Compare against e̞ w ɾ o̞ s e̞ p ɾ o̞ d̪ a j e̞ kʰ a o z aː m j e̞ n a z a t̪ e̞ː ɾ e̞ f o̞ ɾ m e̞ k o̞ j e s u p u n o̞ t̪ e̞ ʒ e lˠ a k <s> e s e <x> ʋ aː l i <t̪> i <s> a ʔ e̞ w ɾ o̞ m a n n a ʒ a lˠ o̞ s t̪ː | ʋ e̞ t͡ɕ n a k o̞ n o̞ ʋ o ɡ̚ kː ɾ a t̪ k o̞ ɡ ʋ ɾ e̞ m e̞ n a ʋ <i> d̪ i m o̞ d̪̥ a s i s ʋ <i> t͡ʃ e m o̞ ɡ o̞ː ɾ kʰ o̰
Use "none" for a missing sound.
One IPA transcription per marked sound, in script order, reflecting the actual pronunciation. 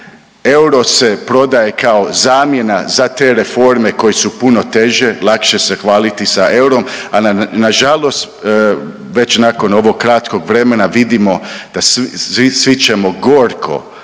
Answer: ʃ, x, t̪, s, i, i

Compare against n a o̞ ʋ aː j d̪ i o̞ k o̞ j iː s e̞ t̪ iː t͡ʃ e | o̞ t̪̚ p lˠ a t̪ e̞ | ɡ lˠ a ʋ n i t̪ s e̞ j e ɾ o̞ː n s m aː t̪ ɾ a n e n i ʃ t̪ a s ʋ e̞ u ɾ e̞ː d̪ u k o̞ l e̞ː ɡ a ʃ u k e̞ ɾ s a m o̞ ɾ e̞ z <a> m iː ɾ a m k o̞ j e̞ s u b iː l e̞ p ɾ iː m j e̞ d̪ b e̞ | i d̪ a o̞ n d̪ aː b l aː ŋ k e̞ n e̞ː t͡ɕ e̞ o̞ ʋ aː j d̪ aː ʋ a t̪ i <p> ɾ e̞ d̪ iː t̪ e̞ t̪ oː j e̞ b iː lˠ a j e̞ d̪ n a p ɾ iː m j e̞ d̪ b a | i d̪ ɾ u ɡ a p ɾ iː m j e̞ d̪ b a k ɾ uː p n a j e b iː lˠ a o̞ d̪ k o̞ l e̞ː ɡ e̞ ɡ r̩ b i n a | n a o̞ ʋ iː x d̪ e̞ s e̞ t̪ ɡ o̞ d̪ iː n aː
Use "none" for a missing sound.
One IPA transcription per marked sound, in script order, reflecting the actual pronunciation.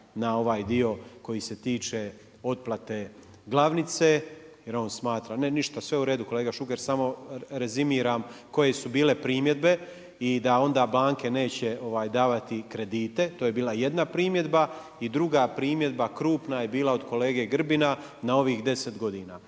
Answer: i, k

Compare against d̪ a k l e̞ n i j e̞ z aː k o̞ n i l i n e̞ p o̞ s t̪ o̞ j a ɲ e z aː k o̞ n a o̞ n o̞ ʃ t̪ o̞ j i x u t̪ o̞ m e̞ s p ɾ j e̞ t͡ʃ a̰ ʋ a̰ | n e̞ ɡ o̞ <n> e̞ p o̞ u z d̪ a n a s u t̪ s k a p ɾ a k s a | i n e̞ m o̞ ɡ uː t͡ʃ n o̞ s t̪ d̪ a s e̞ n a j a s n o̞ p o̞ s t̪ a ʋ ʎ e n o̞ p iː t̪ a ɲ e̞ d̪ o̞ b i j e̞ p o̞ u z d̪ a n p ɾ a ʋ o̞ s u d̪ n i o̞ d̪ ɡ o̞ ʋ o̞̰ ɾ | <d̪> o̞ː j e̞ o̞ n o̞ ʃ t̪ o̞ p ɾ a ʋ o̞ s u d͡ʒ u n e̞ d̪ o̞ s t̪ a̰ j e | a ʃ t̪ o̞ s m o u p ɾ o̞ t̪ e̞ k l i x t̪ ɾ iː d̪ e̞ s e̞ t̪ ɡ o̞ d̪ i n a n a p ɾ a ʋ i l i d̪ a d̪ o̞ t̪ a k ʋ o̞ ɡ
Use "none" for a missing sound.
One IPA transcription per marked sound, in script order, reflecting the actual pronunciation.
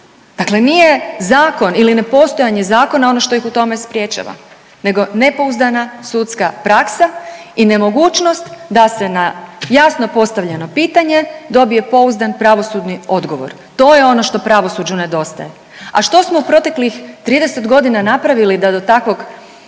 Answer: n, t̪

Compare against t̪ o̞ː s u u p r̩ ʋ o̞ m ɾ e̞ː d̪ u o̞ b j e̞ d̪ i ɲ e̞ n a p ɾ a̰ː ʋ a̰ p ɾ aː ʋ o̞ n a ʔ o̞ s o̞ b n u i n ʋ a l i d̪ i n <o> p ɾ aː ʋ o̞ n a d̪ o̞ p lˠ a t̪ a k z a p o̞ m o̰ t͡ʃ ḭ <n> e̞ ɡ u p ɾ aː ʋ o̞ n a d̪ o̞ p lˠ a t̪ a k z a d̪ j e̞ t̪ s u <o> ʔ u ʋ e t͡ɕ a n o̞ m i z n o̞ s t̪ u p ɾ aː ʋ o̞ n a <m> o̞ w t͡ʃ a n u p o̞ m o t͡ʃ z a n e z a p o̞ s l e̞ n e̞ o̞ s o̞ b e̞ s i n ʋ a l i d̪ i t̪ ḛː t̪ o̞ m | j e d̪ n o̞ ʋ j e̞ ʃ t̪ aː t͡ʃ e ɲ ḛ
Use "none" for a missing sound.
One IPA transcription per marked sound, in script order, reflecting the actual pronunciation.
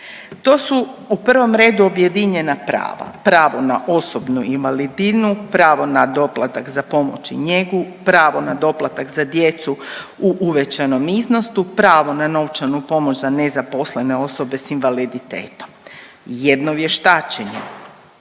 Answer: u, ɲ, u, n

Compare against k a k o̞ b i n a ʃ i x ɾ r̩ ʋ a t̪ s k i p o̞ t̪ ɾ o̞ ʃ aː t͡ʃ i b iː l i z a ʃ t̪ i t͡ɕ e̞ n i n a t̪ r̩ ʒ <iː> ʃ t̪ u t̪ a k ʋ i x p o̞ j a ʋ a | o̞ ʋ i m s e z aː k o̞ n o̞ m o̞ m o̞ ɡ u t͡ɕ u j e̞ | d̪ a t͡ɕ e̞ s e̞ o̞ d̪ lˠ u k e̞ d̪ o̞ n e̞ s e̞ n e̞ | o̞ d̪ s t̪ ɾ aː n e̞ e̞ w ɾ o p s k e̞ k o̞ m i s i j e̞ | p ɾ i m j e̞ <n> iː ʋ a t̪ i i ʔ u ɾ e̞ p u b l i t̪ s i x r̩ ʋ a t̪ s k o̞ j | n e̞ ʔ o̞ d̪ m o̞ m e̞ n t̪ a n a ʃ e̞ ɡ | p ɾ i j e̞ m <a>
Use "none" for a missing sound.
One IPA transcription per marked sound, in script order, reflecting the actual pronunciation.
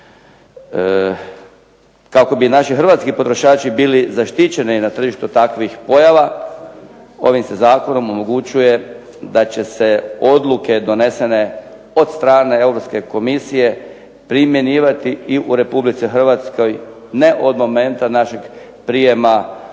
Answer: i, n, a

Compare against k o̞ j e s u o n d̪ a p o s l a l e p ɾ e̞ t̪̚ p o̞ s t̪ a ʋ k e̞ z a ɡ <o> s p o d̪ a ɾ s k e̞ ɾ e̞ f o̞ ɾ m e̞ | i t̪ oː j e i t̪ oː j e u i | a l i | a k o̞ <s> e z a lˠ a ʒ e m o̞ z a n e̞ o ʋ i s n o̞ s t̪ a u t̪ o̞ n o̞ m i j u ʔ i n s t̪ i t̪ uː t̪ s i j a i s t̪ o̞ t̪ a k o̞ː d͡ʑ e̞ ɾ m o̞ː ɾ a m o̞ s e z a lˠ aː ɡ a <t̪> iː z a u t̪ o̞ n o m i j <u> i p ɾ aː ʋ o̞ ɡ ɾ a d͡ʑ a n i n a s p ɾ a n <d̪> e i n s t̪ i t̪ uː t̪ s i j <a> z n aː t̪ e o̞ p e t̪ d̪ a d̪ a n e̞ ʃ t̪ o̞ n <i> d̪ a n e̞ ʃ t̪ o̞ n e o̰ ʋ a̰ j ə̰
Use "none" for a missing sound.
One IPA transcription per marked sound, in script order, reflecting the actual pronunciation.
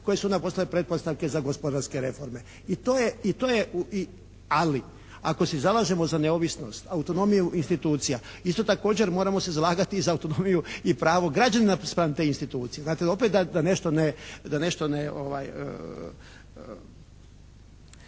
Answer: o, s, t̪, u, t̪, e, e

